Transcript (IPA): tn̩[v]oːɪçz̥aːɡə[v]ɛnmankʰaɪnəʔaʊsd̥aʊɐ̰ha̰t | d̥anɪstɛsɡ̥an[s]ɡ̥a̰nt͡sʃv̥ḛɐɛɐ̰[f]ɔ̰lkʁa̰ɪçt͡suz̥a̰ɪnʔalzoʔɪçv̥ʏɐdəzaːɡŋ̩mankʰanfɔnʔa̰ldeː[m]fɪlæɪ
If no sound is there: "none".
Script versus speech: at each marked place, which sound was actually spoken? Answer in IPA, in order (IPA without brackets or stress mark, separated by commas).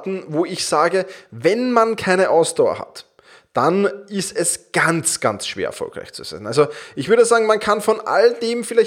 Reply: v, v, t͡s, f, m